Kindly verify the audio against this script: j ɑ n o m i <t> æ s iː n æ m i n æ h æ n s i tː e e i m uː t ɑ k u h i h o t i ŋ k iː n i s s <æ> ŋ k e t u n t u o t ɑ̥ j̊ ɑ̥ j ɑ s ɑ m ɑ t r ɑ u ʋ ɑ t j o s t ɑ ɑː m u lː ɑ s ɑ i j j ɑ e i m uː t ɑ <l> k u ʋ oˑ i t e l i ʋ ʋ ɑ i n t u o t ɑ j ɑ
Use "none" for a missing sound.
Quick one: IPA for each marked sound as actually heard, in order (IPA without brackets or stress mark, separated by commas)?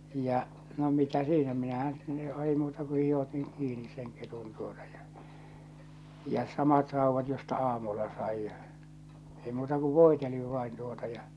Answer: t, e, none